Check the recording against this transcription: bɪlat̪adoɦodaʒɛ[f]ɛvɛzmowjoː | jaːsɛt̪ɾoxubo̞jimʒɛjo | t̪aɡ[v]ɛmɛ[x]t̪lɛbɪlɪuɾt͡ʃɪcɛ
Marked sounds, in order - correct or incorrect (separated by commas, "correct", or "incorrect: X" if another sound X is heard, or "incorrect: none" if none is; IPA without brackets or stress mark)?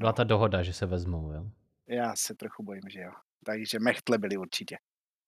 incorrect: s, incorrect: ʒ, correct